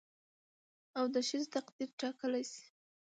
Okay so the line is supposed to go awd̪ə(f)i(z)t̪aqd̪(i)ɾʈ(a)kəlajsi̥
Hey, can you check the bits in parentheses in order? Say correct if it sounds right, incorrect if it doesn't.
incorrect, correct, correct, incorrect

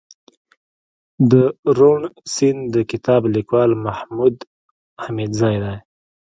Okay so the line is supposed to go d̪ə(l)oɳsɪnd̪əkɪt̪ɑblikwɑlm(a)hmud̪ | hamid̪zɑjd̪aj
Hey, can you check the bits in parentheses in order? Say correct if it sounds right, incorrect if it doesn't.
incorrect, correct

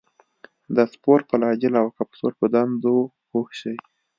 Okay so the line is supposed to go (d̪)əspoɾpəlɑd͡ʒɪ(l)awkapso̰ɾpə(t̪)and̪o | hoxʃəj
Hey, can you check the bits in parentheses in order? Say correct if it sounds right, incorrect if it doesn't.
correct, correct, incorrect

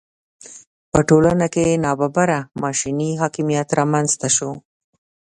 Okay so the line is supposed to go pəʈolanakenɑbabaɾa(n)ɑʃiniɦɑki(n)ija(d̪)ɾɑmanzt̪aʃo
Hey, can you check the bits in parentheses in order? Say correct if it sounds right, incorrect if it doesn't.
incorrect, incorrect, incorrect

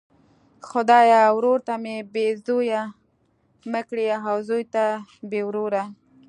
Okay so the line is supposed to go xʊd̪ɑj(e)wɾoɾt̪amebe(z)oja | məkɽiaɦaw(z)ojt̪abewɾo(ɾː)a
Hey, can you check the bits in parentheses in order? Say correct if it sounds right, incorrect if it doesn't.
incorrect, correct, correct, incorrect

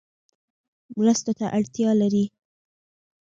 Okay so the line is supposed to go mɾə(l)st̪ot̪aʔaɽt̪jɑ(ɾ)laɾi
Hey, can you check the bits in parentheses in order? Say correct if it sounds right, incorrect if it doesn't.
incorrect, incorrect

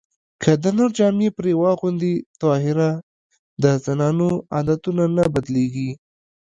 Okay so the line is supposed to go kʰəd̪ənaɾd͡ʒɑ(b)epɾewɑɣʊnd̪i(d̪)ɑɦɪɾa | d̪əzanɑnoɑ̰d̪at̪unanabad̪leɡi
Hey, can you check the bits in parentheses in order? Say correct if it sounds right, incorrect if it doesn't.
incorrect, incorrect

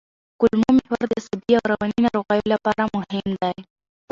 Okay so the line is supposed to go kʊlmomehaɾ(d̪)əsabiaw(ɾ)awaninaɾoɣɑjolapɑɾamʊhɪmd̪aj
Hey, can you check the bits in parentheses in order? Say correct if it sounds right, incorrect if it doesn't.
correct, correct

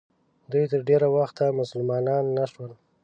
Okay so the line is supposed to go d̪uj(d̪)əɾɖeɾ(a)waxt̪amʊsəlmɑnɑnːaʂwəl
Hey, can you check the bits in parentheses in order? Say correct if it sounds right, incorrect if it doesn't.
incorrect, correct

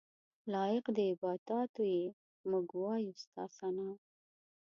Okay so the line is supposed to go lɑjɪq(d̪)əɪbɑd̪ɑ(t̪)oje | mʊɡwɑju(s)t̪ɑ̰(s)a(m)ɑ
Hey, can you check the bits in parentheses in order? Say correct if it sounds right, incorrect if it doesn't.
correct, correct, correct, correct, incorrect

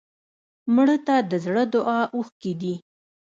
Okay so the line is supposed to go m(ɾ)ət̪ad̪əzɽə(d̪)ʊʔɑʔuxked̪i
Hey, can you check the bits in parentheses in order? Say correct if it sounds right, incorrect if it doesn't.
incorrect, correct

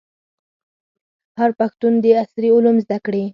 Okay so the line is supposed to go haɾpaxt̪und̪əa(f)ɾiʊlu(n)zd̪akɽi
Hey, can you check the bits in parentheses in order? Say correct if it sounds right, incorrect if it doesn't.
incorrect, incorrect

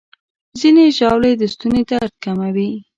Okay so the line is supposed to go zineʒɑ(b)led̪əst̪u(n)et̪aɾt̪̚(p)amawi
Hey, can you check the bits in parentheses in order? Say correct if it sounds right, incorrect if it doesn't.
incorrect, correct, incorrect

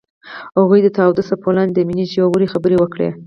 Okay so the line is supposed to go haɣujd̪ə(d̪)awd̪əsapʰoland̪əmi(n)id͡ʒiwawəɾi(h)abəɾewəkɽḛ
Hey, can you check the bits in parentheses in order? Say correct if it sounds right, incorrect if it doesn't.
incorrect, correct, incorrect

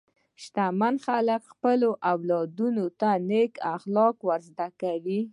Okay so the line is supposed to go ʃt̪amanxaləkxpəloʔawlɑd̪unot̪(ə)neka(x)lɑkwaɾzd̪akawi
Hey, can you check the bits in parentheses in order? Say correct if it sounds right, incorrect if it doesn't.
incorrect, correct

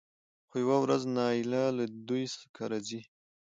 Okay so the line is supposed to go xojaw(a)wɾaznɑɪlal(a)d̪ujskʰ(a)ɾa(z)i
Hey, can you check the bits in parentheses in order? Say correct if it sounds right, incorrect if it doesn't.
correct, correct, correct, correct

